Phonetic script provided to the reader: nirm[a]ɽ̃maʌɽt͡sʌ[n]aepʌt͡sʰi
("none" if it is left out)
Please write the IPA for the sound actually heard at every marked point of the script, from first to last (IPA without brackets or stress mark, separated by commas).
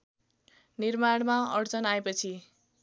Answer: a, n